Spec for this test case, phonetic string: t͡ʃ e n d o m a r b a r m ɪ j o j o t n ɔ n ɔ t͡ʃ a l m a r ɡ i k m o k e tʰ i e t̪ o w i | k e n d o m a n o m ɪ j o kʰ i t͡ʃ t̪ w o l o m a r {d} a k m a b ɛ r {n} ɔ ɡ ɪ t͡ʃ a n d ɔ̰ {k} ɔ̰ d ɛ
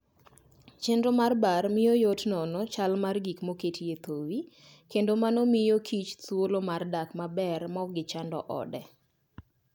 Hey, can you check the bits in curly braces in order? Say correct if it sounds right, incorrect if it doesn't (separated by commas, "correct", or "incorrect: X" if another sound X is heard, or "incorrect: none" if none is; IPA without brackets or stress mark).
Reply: correct, incorrect: m, incorrect: ʔ